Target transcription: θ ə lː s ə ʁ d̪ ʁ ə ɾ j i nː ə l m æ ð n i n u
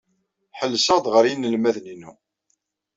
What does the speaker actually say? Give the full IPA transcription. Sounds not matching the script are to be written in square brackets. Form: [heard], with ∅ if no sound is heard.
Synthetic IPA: [ħ] ə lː s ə ʁ d̪ ʁ ə ɾ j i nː ə l m æ ð n i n u